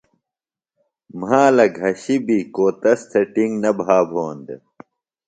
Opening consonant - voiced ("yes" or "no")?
yes